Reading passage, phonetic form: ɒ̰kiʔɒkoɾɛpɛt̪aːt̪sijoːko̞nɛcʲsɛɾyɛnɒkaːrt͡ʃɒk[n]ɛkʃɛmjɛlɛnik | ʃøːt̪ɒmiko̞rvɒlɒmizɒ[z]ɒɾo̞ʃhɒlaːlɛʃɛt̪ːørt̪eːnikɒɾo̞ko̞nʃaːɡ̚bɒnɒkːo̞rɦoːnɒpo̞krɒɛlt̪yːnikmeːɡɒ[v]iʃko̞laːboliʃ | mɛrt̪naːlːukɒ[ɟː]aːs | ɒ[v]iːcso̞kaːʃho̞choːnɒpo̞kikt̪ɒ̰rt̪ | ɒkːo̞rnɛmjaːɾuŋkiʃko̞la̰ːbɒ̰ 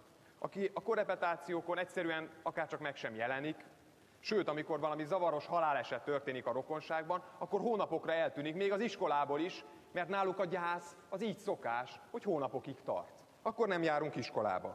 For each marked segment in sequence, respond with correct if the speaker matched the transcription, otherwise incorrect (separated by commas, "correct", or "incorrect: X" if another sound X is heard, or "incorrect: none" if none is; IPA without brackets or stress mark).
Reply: incorrect: m, incorrect: v, incorrect: z, incorrect: ɟ, incorrect: z